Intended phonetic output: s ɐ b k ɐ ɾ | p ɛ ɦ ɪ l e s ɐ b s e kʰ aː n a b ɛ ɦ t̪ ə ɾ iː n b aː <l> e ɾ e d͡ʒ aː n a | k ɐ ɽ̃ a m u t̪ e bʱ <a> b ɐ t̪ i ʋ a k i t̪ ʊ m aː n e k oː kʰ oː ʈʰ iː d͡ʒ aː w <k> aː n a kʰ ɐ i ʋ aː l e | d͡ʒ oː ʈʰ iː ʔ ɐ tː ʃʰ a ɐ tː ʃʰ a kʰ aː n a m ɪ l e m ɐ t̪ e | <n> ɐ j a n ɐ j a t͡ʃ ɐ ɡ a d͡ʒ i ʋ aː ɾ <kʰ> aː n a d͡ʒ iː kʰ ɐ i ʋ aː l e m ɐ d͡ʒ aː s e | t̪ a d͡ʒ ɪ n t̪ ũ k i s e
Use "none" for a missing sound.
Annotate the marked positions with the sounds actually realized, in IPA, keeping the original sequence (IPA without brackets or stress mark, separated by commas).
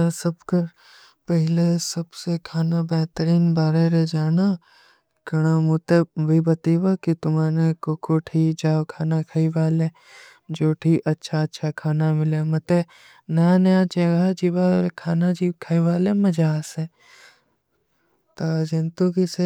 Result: ɾ, i, kʰ, n, kʰ